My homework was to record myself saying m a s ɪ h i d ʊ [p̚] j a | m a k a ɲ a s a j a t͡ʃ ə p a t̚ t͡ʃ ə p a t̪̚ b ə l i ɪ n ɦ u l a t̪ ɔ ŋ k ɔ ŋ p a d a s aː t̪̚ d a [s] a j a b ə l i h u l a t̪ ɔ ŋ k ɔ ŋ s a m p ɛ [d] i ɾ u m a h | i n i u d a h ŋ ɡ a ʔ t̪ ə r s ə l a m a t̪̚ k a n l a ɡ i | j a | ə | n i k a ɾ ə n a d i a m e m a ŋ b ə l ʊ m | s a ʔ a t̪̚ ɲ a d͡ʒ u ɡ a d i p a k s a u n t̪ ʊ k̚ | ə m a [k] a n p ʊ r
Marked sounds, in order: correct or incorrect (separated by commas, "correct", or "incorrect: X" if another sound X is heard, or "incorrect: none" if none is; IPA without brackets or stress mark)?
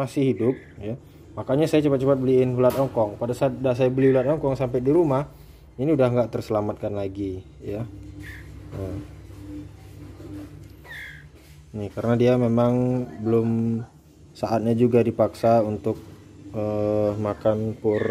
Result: correct, correct, correct, correct